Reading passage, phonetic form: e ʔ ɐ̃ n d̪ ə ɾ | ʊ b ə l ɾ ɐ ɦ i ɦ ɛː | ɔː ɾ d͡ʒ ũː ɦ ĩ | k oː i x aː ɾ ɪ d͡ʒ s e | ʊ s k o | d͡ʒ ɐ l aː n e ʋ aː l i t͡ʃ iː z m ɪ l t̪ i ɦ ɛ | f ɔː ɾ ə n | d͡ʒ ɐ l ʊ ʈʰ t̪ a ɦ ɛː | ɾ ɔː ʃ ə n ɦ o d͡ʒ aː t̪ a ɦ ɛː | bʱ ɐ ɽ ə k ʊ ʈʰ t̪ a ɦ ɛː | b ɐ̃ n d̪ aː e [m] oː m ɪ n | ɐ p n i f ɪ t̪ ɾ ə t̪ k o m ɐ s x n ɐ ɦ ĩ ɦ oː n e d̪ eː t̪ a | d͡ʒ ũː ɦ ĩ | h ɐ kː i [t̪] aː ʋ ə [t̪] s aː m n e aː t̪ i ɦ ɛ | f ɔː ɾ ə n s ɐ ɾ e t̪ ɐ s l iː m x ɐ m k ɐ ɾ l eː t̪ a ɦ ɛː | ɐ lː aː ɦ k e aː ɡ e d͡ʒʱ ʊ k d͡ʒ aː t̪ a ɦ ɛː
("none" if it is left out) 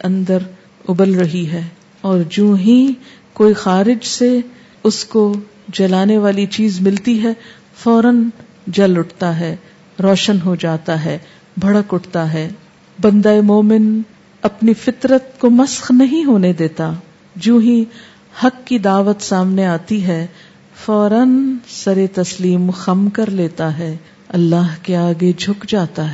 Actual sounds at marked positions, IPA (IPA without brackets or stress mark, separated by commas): m, d̪, t̪